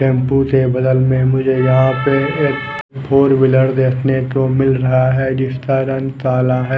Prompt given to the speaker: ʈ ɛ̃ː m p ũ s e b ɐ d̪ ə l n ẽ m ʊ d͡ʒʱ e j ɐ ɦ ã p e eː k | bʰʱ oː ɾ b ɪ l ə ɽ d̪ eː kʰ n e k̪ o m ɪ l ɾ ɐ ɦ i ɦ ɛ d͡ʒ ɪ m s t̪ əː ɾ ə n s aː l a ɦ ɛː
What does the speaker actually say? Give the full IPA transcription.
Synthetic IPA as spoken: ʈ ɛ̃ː m p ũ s e b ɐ d̪ ə l m ẽ m ʊ d͡ʒʱ e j ɐ ɦ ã p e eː k | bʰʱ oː ɾ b ɪ l ə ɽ d̪ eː kʰ n e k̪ o m ɪ l ɾ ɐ ɦ a ɦ ɛ d͡ʒ ɪ s t̪ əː ɾ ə n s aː l a ɦ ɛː

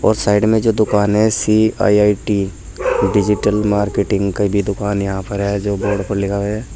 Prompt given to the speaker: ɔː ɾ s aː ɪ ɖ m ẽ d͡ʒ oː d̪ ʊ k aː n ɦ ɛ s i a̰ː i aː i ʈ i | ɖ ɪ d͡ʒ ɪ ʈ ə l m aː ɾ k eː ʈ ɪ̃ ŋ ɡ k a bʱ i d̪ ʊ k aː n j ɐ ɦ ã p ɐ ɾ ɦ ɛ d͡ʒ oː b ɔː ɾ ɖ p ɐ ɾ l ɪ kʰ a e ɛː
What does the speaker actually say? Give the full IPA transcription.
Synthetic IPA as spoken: ɔː ɾ s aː ɪ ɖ m ẽ d͡ʒ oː d̪ ʊ k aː n ɦ ɛ s i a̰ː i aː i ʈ i | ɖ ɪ d͡ʒ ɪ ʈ ə l m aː ɾ k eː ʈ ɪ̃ ŋ ɡ k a bʱ i d̪ ʊ k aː n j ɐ ɦ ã p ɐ ɾ ɦ ɛ d͡ʒ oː b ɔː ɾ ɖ p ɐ ɾ l ɪ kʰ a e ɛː

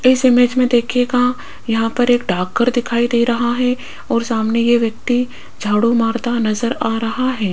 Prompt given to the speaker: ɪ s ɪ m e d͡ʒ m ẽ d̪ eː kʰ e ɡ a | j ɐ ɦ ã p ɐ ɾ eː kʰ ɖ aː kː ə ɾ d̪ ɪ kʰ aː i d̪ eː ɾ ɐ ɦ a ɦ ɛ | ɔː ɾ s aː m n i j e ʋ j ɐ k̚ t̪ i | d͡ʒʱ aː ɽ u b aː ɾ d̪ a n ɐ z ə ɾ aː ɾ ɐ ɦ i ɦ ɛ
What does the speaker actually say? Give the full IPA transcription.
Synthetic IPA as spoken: ɪ s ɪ m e d͡ʒ m ẽ d̪ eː kʰ e ɡ a | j ɐ ɦ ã p ɐ ɾ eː k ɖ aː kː ə ɾ d̪ ɪ kʰ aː i d̪ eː ɾ ɐ ɦ a ɦ ɛ | ɔː ɾ s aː m n e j e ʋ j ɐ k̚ t̪ i | d͡ʒʱ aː ɽ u m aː ɾ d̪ a n ɐ z ə ɾ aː ɾ ɐ ɦ a ɦ ɛː

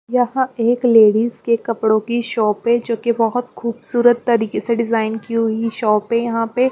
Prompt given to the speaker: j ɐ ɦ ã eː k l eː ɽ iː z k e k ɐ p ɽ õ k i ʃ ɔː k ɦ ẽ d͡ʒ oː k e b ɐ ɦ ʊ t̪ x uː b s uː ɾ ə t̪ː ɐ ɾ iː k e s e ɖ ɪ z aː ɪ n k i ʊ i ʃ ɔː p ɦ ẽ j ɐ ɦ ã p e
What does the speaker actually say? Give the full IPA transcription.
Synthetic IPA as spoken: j ɐ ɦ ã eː k l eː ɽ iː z k e k ɐ p ɽ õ k i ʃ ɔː p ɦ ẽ d͡ʒ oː k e b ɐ ɦ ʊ t̪ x uː b s uː ɾ ə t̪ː ɐ ɾ iː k e s e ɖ ɪ z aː ɪ n k i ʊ i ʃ ɔː p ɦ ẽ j ɐ ɦ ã p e

